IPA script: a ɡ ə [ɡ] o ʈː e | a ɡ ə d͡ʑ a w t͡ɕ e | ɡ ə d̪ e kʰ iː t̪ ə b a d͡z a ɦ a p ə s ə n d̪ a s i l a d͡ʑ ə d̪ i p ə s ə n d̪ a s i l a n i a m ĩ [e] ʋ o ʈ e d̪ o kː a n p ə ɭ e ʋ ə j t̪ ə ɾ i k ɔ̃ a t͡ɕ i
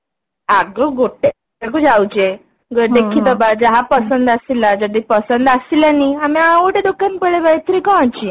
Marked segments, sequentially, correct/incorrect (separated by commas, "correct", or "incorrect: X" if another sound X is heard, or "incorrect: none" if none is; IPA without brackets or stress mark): correct, incorrect: a